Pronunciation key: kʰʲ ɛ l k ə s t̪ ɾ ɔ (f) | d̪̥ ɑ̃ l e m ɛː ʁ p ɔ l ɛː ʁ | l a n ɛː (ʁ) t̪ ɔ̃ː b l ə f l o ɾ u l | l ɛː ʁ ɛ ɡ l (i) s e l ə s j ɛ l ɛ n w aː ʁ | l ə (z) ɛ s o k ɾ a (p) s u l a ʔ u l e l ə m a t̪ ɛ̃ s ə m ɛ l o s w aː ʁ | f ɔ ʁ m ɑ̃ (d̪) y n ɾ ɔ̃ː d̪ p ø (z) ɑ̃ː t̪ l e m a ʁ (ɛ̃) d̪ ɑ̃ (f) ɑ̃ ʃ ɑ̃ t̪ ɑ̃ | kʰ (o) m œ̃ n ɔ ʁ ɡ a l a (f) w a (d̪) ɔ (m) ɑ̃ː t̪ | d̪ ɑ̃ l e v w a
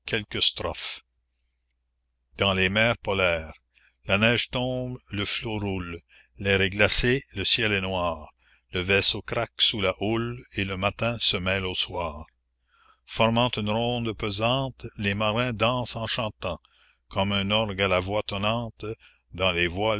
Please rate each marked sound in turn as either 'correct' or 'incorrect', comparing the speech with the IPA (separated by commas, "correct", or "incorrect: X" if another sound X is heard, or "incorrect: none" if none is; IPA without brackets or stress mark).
correct, incorrect: ʒ, incorrect: a, incorrect: v, incorrect: k, incorrect: t̪, correct, correct, incorrect: s, incorrect: ɔ, incorrect: v, incorrect: t̪, incorrect: n